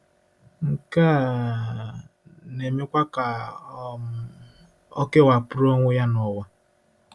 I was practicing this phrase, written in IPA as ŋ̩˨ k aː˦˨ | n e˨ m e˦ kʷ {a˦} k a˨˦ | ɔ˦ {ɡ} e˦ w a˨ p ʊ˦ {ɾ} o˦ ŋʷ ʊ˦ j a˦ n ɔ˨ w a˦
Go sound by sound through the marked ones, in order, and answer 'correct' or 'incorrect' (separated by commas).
correct, incorrect, correct